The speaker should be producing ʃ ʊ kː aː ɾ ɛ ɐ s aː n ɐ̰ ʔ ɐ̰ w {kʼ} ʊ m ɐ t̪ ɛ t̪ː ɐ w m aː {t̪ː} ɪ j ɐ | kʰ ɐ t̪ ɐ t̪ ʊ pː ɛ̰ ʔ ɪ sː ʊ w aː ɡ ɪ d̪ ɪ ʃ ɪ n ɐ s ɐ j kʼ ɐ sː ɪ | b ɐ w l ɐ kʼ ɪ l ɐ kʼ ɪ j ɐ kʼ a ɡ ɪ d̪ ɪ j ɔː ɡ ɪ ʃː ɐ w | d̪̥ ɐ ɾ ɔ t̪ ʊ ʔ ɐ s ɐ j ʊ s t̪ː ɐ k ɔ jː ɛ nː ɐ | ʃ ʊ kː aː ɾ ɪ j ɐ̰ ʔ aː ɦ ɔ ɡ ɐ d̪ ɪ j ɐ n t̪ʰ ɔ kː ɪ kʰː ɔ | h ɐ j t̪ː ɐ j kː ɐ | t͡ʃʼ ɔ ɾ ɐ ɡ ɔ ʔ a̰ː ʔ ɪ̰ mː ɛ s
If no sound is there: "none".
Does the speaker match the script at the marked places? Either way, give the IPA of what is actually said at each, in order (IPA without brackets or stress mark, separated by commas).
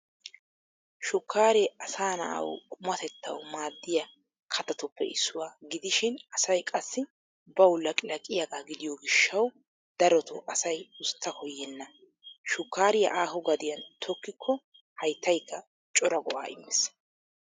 kʼ, d̪ː